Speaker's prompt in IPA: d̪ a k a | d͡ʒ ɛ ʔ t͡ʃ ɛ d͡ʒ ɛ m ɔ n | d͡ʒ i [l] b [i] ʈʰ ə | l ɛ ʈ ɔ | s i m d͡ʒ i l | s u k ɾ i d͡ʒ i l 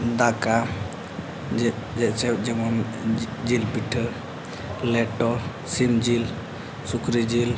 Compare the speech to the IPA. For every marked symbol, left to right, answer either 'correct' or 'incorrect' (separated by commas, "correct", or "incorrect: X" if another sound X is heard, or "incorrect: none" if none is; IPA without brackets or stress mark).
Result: correct, correct